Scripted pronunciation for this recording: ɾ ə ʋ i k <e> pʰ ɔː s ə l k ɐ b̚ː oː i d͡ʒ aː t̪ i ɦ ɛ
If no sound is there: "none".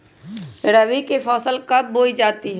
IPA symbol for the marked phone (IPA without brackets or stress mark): e